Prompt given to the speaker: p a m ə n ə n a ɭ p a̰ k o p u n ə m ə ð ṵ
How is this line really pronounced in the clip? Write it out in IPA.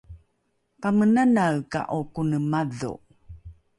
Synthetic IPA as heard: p a m ə n a n a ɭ k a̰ ʔ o k u n ə m a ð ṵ